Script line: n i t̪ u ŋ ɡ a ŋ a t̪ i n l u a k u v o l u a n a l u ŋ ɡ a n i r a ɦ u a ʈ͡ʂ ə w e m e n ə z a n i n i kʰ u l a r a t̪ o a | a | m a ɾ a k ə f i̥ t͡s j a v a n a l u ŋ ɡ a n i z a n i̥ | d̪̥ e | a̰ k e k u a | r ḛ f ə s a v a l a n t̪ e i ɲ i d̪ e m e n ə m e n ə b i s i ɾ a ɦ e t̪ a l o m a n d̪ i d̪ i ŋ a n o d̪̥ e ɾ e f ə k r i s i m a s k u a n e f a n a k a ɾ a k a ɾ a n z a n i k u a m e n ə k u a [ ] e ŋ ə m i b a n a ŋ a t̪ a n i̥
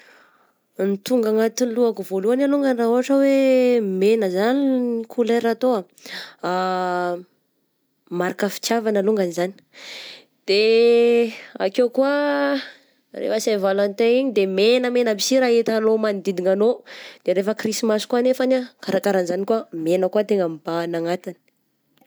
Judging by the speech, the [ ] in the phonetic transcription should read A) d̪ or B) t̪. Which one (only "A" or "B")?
B